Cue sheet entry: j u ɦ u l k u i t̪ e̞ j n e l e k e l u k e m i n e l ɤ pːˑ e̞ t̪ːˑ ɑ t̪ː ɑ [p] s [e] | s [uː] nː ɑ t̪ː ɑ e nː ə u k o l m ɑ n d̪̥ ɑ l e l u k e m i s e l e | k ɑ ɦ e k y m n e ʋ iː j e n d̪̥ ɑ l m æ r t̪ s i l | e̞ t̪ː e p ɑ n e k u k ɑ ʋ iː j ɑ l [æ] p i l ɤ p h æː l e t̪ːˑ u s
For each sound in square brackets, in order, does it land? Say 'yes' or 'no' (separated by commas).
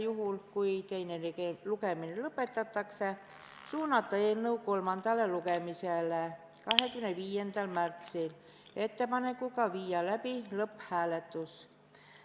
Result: no, yes, yes, yes